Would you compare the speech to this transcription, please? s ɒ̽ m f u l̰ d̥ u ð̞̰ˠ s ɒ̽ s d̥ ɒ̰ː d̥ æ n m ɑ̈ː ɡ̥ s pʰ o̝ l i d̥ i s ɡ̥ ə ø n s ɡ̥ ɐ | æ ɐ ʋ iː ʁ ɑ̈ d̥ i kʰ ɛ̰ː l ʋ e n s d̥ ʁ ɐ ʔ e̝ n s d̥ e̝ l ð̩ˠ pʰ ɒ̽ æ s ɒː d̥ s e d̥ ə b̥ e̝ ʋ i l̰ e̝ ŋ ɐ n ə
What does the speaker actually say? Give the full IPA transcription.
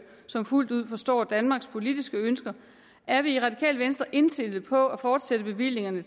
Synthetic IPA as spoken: s ɒ̽ m f u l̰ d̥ u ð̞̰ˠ f ɒ̽ s d̥ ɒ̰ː d̥ æ n m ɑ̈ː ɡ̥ s pʰ o̝ l i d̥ i s ɡ̥ ə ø n s ɡ̥ ɐ | æ ɐ ʋ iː ʁ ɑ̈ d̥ i kʰ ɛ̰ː l ʋ e n s d̥ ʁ ɐ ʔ e̝ n s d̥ e̝ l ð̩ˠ pʰ ɒ̽ æ f ɒː d̥ s e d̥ ə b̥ e̝ ʋ i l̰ e̝ ŋ ɐ n ə